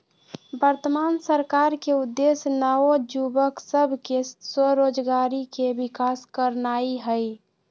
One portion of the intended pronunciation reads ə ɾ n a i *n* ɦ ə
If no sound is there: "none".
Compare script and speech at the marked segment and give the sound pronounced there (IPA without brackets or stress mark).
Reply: none